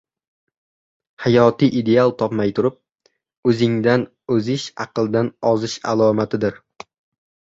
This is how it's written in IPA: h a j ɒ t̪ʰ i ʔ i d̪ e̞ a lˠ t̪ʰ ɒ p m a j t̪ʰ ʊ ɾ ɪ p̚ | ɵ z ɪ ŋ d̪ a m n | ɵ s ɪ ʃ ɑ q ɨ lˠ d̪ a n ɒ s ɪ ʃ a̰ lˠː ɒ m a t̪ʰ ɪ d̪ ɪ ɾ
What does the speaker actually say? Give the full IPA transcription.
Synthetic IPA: h a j ɒ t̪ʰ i ʔ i d̪ e̞ a lˠ t̪ʰ ɒ p m a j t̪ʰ ʊ ɾ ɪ p̚ | ɵ z ɪ ŋ d̪ a n | ɵ z ɪ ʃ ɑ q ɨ lˠ d̪ a n ɒ z ɪ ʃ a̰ lˠ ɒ m a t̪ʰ ɪ d̪ ɪ ɾ